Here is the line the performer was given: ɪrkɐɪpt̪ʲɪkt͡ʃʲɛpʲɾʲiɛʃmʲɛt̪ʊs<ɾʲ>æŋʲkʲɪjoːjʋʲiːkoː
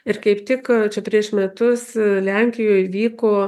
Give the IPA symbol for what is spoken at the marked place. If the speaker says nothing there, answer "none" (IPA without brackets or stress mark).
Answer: lʲ